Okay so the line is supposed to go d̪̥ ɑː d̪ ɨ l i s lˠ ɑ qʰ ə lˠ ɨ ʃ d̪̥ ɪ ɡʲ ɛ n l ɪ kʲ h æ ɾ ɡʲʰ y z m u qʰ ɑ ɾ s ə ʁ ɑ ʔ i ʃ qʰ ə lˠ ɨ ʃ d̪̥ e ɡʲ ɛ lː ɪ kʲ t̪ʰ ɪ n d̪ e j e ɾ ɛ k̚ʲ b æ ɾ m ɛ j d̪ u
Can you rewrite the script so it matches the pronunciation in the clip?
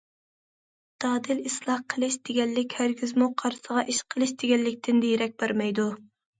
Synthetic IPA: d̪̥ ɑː d̪ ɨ l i s lˠ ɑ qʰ ə lˠ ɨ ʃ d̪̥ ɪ ɡʲ ɛ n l ɪ kʲ h æ ɾ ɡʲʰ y z m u qʰ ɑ ɾ s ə ʁ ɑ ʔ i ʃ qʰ ə lˠ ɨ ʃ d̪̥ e ɡʲ ɛ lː ɪ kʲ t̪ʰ ɪ n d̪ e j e ɾ ɛ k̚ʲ b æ ɾ m ɛ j d̪ u